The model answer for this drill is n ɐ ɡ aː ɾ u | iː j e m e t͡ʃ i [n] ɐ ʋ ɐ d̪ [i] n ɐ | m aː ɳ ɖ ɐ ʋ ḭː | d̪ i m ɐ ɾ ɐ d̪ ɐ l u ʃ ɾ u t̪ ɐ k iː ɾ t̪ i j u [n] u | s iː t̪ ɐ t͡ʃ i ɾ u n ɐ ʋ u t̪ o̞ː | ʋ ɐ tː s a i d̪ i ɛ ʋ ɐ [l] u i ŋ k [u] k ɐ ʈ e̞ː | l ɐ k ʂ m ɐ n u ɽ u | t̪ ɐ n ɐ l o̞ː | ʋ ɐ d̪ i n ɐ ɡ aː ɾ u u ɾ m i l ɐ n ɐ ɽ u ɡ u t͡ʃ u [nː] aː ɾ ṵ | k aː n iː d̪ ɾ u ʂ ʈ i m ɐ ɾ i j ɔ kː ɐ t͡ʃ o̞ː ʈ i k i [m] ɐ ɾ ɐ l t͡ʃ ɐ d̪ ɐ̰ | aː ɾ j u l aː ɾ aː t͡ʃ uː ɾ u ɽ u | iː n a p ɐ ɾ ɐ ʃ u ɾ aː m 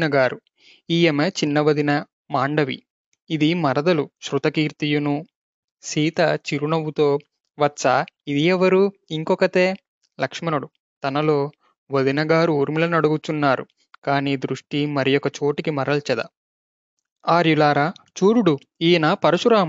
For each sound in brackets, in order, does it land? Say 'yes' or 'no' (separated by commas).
no, yes, yes, no, no, yes, yes